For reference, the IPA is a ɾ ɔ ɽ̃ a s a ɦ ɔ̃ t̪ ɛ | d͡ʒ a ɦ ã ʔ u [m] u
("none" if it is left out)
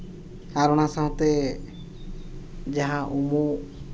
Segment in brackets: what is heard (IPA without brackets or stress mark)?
m